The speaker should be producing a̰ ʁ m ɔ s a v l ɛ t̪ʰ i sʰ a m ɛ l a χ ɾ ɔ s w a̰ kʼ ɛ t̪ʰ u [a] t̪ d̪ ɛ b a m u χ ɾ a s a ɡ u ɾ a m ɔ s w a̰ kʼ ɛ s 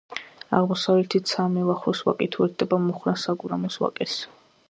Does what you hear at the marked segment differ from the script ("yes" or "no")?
yes